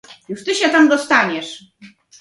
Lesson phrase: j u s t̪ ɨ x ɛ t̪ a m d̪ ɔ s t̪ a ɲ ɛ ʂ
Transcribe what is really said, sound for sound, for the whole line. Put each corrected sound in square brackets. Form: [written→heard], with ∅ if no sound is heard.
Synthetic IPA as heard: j u [s→ʂ] t̪ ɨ [x→ɕ] ɛ t̪ a m d̪ ɔ s t̪ a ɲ ɛ ʂ